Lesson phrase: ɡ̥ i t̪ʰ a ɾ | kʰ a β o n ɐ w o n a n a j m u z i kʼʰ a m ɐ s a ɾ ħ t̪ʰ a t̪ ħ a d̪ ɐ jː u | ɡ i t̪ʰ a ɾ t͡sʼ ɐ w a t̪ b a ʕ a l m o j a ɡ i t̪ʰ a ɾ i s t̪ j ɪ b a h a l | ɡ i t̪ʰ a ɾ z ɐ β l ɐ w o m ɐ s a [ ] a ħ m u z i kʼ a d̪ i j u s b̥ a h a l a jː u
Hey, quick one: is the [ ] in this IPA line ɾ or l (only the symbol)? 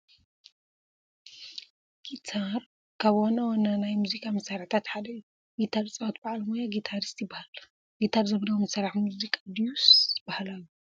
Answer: ɾ